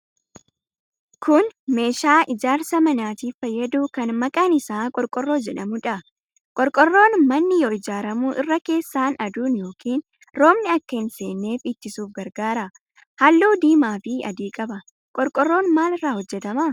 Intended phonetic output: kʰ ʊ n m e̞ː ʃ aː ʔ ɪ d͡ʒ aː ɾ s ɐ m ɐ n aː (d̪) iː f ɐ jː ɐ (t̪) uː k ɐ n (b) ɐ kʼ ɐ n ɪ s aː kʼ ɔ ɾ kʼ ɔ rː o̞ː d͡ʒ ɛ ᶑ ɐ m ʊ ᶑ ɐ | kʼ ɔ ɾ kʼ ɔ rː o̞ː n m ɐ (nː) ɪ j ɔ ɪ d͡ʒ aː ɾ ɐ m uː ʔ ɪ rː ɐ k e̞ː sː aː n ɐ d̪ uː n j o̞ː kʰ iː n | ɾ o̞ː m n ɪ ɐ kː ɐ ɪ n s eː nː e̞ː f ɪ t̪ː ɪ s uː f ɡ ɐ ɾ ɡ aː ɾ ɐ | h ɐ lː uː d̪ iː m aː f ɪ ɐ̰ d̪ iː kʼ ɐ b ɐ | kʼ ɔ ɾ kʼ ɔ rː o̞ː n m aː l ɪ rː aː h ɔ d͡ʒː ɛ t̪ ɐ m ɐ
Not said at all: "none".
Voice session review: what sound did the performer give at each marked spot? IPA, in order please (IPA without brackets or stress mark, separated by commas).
t̪, d̪, m, nː